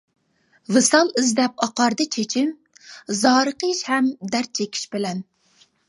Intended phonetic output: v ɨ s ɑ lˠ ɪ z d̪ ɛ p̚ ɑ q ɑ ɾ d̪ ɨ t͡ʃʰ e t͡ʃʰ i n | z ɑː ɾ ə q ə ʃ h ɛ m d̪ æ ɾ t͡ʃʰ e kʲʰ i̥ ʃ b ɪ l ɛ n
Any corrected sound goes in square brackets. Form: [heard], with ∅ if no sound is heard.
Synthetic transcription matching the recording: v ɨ s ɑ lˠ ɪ z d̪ ɛ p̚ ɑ q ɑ ɾ d̪ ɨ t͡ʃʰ e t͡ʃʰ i [m] | z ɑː ɾ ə q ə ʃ h ɛ m d̪ æ ɾ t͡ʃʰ e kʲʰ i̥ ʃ b ɪ l ɛ n